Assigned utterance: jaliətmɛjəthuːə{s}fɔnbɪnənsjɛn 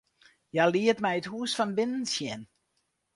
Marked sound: correct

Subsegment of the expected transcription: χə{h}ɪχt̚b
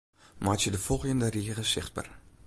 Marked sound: incorrect: s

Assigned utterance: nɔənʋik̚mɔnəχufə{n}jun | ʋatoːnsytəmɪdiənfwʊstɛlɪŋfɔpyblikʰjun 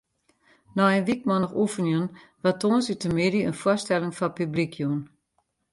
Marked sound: correct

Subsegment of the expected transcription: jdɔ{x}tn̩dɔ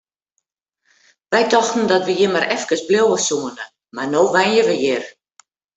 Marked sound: correct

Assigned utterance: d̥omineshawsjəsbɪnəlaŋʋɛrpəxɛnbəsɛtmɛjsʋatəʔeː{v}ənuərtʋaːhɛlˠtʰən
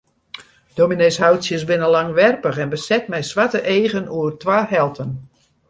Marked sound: incorrect: ɣ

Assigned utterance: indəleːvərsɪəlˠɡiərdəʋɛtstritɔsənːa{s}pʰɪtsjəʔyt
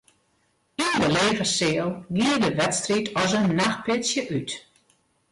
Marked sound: incorrect: x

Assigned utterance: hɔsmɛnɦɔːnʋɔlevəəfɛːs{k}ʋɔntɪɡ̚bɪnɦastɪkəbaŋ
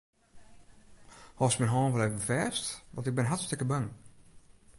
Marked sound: incorrect: t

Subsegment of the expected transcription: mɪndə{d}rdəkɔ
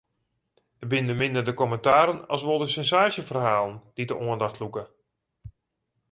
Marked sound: incorrect: none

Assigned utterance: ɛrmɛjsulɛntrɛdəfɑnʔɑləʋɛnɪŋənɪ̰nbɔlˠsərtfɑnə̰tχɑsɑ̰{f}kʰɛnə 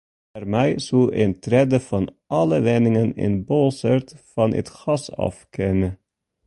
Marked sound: correct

